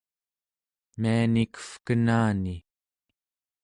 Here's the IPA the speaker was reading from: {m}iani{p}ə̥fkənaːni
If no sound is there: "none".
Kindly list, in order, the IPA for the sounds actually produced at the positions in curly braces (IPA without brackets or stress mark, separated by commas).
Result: m, k